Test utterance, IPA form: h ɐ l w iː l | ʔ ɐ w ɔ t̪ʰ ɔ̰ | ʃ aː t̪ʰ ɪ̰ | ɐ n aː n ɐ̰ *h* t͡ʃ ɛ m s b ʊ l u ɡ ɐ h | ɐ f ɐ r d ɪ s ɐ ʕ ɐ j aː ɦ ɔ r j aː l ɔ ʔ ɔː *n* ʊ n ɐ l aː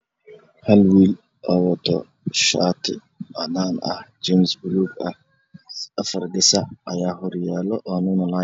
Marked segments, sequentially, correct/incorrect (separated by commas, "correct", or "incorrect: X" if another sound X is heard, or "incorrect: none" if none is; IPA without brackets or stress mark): correct, correct